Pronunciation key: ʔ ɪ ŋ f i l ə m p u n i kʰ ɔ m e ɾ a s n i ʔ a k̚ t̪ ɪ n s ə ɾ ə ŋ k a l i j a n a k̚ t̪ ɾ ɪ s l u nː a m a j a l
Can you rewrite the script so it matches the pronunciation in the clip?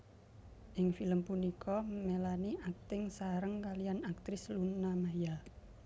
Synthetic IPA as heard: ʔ ɪ ŋ f i l ə m p u n i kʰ ɔ m e l a n i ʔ a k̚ t̪ ɪ ŋ s a ɾ ə ŋ k a l i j a n a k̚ t̪ ɾ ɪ s l u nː a m a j a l

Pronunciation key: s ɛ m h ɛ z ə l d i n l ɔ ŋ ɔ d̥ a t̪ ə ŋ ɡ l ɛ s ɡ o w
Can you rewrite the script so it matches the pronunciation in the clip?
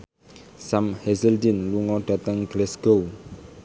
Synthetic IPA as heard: s a m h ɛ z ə l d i n l u ŋ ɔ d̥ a t̪ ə ŋ ɡ l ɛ s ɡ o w

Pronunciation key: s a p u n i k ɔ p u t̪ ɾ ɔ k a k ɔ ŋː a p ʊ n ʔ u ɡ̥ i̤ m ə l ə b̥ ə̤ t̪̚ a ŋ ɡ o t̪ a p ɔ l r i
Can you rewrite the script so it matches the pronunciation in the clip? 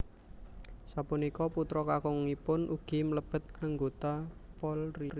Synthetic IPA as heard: s a p u n i k ɔ p u t̪ ɾ ɔ k a k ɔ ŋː i p ʊ n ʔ u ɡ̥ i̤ m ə l ə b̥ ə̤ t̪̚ a ŋ ɡ o t̪ a p ɔ l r i

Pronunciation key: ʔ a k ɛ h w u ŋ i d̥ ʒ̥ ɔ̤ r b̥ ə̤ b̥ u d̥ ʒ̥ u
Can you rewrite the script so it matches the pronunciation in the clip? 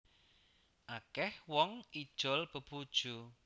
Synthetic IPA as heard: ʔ a k ɛ h w ɔ ŋ i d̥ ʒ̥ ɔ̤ l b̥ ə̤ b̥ u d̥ ʒ̥ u

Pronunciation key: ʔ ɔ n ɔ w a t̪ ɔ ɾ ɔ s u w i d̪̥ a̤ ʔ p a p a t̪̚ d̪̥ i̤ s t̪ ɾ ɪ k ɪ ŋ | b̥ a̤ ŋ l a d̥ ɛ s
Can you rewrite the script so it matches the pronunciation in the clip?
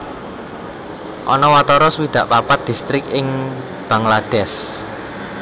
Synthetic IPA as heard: ʔ ɔ n ɔ w a t̪ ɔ ɾ ɔ s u w i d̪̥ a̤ ʔ p a p a t̪̚ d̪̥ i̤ s t̪ ɾ ɪ k ɪ ŋ | b̥ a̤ ŋ l a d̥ ɛ s

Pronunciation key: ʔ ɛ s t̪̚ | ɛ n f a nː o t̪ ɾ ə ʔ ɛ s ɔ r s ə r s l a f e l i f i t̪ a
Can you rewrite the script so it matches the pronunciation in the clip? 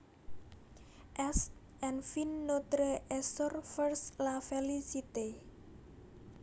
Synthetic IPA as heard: ʔ ɛ s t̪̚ | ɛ n f i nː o t̪ ɾ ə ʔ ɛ s ɔ r f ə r s l a f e l i s i t̪ e

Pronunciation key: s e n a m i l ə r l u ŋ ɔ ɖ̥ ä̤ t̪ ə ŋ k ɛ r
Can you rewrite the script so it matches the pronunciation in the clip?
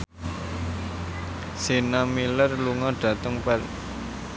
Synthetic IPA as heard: s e n a m i l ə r l u ŋ ɔ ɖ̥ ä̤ t̪ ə ŋ p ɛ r

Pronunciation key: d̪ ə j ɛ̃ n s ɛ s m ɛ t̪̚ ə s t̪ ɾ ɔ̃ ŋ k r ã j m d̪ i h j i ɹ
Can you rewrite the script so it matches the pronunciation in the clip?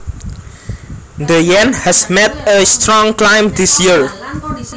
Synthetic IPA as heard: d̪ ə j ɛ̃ n h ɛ s m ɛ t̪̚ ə s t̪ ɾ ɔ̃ ŋ k l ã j m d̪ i s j i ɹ

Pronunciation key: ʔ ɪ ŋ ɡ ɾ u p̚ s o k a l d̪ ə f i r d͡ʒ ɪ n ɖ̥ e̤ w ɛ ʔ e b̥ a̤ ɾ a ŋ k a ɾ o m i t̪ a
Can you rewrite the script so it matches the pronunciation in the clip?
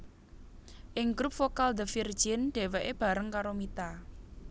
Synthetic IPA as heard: ʔ ɪ ŋ ɡ ɾ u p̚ f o k a l d̪ ə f i r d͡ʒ ɪ n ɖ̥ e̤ w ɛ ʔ e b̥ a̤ ɾ ə ŋ k a ɾ o m i t̪ a

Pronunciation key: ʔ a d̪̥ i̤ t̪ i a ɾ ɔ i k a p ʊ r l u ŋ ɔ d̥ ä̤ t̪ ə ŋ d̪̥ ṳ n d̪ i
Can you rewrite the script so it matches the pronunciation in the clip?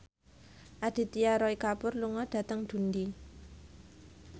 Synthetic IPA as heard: ʔ a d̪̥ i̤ t̪ i a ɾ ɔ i k a p ʊ r l u ŋ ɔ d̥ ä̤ t̪ ə ŋ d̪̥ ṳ n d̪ i

